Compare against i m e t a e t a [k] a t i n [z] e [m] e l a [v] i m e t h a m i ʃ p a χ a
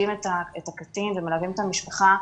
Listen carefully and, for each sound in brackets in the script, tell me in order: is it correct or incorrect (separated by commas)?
correct, incorrect, correct, correct